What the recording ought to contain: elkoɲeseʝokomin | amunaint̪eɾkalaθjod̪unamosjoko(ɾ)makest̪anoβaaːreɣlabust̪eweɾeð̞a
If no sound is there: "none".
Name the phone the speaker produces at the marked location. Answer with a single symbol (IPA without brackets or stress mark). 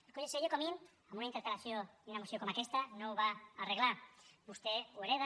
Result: none